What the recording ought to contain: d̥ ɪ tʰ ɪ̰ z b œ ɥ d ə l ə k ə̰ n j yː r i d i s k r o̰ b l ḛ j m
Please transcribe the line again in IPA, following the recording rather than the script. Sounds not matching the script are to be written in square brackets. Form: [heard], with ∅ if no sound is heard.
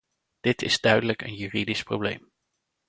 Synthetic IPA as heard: d̥ ɪ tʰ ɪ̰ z [d] œ ɥ d ə l ə k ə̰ n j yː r i d i s [p] r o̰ b l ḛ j m